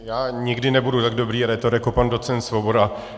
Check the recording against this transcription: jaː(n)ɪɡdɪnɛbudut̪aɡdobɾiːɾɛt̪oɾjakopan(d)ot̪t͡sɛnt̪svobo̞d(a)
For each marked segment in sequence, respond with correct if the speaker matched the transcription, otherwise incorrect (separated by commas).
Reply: incorrect, correct, correct